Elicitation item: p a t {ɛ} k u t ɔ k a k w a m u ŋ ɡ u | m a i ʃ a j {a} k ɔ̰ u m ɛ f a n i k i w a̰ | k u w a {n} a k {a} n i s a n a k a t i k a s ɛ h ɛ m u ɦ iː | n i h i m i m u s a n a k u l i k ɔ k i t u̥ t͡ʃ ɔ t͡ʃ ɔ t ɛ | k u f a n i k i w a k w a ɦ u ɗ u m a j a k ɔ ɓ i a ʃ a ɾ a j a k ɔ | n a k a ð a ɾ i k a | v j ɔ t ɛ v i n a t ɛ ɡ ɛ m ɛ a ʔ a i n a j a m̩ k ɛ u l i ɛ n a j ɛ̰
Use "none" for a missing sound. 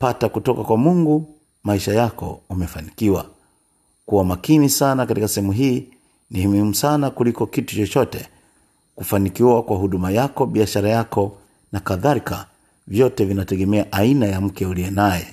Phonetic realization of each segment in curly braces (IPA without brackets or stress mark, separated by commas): a, a, m, i